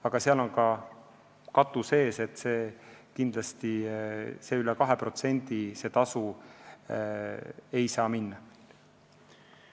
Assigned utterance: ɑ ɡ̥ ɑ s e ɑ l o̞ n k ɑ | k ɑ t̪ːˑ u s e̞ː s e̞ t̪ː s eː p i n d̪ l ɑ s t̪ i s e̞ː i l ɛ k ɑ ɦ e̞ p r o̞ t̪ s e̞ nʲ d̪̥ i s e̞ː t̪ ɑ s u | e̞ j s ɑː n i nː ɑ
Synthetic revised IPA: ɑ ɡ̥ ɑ s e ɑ l o̞ n k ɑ | k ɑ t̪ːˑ u s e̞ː s e̞ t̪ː s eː k i n d̪ l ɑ s t̪ i s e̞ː y l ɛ k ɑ ɦ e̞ p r o̞ t̪ s e̞ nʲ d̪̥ i s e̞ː t̪ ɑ s u | e̞ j s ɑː m i nː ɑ

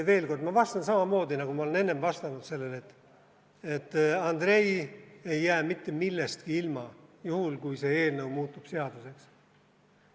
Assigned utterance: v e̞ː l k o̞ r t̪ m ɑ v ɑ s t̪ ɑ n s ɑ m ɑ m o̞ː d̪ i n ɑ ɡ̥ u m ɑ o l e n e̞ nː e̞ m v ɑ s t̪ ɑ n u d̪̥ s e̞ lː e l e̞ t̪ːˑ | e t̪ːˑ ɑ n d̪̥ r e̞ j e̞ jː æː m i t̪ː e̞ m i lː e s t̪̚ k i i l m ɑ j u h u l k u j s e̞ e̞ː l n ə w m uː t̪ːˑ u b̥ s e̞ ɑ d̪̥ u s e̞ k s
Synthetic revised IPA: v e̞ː l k o̞ r d̪ m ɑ v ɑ s t̪ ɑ n s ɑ m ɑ m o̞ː d̪ i n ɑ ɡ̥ u m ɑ o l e n e̞ nː e̞ m v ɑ s t̪ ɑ n u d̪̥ s e̞ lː e l e̞ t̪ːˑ | e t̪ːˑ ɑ n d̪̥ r e̞ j e̞ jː æː m i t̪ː e̞ m i lː e s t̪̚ k i i l m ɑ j u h u l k u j s e̞ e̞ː l n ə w m uː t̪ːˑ u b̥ s e̞ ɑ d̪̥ u s e̞ k s

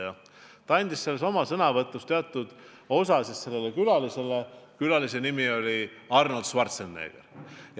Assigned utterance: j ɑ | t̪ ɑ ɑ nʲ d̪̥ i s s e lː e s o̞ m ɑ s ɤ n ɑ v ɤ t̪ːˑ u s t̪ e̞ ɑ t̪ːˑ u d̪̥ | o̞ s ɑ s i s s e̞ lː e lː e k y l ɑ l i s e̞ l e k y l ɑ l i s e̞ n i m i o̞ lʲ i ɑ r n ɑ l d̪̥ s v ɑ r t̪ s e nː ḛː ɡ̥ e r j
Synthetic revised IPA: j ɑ | t̪ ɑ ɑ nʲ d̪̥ i s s e lː e s o̞ m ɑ s ɤ n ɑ v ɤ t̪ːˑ u s t̪ e̞ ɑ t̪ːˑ u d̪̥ | o̞ s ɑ s i s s e̞ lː e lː e k y l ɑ l i s e̞ l e k y l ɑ l i s e̞ n i m i o̞ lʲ i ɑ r n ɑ l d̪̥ s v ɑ r t̪ s e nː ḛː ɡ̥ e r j

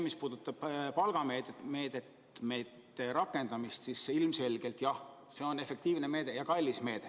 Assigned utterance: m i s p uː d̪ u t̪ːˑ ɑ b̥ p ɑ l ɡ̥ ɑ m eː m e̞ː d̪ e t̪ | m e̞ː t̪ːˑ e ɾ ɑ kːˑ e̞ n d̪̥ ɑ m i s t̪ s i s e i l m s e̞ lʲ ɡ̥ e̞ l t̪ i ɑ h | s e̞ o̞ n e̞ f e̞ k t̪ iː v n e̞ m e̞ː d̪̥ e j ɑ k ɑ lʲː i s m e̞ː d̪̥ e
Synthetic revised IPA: m i s p uː d̪ u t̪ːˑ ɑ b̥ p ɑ l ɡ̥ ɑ m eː m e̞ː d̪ e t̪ | m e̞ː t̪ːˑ e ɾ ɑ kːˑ e̞ n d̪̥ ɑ m i s t̪ s i s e i l m s e̞ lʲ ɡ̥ e̞ l t̪ j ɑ h | s e̞ o̞ n e̞ f e̞ k t̪ iː v n e̞ m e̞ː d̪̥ e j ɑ k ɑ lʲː i s m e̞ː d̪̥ e

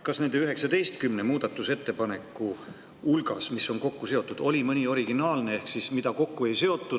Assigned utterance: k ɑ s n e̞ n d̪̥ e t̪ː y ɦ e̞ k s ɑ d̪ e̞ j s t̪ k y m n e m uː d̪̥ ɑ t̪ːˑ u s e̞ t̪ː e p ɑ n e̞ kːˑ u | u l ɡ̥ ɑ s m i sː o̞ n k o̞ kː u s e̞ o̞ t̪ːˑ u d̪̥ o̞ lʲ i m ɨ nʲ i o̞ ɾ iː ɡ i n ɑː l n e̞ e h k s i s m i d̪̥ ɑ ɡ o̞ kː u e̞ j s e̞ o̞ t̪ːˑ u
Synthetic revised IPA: k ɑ s n e̞ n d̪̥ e y ɦ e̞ k s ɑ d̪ e̞ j s t̪ k y m n e m uː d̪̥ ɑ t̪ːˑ u s e̞ t̪ː e p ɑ n e̞ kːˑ u | u l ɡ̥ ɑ s m i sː o̞ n k o̞ kː u s e̞ o̞ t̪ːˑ u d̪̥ o̞ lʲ i m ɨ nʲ i o̞ ɾ i ɡ i n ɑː l n e̞ e h k s i s m i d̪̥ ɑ k o̞ kː u e̞ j s e̞ o̞ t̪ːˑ u

